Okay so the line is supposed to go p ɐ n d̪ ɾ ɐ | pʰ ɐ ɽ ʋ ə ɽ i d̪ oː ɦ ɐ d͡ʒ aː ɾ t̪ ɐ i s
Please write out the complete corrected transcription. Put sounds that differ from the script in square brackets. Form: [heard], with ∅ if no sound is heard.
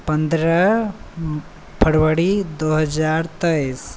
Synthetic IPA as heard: p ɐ n d̪ ɾ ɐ | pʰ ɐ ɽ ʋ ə ɽ i d̪ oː ɦ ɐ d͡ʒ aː ɾ t̪ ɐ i s